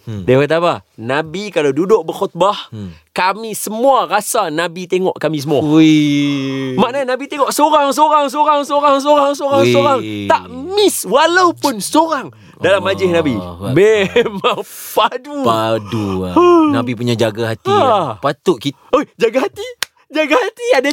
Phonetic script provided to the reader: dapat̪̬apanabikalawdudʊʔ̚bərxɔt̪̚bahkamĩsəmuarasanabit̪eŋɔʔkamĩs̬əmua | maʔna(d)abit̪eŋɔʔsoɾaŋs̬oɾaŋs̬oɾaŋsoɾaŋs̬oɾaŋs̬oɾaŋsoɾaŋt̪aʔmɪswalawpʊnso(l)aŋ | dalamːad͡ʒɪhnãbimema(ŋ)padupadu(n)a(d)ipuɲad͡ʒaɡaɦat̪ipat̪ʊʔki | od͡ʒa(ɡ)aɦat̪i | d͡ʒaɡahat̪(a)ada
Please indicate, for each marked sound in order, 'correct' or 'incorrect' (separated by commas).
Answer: incorrect, incorrect, correct, correct, incorrect, correct, incorrect